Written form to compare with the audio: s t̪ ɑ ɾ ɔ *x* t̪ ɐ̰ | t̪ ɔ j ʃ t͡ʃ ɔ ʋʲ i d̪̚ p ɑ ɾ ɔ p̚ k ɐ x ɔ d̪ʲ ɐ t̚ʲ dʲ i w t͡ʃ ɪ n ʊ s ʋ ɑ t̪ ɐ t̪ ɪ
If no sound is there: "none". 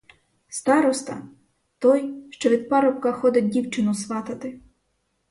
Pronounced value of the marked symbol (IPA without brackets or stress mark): s